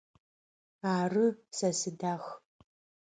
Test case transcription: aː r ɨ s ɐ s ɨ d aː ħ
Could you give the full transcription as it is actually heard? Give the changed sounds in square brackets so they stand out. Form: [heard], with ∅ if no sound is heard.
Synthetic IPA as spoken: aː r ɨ s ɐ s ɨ d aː [x]